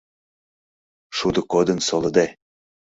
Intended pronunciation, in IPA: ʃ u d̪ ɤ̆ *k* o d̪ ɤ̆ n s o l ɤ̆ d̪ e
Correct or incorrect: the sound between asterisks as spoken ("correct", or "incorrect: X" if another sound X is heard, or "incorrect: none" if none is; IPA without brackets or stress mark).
correct